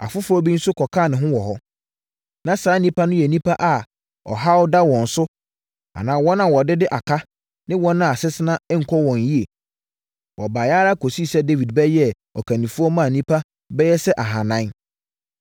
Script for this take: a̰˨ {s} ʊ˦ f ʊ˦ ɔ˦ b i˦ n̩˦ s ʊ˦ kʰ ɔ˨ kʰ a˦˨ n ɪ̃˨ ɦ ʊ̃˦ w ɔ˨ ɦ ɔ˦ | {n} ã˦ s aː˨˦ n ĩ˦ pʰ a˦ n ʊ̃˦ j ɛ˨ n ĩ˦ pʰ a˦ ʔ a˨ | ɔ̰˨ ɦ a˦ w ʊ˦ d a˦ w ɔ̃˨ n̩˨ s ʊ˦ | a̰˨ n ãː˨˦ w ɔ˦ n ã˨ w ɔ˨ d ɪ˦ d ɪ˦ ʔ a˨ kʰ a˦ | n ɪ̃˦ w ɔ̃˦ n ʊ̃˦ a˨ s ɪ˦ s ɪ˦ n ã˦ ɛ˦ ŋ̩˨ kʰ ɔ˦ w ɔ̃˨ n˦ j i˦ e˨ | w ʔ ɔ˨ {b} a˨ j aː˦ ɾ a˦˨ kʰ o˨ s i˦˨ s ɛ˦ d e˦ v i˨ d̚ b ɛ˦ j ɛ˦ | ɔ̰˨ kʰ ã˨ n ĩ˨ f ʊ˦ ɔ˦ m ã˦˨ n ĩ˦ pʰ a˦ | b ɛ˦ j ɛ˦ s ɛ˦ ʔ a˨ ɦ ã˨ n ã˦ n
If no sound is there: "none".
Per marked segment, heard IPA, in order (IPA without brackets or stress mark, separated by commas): f, n, b